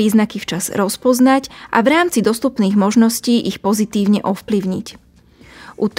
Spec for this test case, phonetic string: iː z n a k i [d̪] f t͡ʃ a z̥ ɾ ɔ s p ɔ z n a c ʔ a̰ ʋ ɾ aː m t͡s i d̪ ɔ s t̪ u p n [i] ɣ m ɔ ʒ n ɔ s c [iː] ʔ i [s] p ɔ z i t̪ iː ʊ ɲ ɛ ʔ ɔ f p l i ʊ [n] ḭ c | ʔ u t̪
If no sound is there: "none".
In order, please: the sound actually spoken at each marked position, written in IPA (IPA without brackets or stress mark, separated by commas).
none, iː, iː, x, ɲ